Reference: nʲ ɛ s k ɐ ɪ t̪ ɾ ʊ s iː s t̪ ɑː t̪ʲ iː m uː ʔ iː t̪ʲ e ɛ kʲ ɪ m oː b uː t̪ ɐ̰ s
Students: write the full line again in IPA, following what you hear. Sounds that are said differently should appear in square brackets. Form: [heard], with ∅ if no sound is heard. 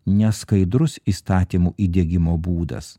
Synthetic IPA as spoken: nʲ ɛ s k ɐ ɪ [d̪] ɾ ʊ s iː s t̪ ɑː t̪ʲ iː m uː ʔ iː [d̪ʲ] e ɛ [ɡʲ] ɪ m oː b uː [d̪] ɐ̰ s